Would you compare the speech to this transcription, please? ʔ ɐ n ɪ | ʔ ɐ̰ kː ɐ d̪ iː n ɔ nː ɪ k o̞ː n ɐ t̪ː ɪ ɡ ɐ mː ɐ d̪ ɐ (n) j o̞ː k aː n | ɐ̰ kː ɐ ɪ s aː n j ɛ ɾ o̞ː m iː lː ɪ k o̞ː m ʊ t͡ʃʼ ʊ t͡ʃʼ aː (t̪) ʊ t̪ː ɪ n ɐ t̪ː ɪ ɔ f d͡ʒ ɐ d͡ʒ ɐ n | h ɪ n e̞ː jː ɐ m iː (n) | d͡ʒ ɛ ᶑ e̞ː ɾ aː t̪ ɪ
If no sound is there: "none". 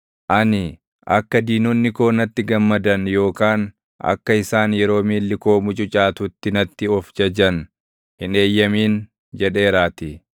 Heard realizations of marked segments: n, t̪, n

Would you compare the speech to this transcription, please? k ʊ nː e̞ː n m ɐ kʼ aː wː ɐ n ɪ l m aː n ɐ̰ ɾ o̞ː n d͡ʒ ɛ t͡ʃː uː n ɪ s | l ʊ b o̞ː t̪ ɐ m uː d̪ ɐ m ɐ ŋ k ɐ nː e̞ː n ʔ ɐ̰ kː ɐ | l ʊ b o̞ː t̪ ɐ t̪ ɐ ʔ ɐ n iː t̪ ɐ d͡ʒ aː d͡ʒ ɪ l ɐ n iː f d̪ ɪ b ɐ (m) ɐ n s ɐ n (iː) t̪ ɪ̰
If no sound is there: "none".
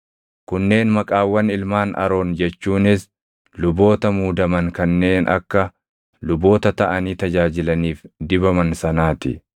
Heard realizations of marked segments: m, aː

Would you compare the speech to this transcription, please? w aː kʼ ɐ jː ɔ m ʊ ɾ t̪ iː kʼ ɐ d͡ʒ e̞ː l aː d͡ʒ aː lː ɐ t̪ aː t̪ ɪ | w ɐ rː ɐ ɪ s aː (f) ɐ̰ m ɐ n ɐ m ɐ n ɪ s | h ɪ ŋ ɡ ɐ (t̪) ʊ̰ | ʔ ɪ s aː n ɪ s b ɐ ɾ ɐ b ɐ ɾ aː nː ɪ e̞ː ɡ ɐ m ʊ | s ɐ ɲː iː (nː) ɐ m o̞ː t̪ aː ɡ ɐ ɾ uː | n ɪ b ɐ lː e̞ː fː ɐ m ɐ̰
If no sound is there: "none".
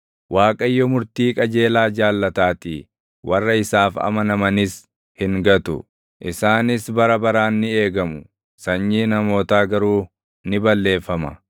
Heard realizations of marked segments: f, t̪, n

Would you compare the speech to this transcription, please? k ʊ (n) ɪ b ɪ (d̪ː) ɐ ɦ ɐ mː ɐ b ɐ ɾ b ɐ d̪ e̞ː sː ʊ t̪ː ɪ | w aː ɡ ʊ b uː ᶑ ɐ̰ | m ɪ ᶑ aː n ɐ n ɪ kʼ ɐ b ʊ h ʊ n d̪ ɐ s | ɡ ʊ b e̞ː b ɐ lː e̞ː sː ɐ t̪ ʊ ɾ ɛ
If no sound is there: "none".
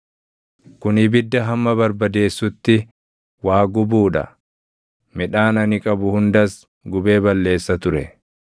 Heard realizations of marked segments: n, d̪ː

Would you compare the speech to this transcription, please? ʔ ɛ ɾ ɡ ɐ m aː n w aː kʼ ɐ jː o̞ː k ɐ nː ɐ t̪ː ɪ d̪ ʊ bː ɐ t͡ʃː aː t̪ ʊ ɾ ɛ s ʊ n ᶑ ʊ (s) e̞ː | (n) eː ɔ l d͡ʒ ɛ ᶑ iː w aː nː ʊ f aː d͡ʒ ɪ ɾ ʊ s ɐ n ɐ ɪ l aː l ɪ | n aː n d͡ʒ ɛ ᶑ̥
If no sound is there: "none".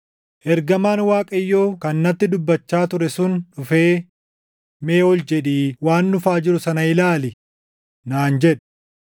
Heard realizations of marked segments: f, m

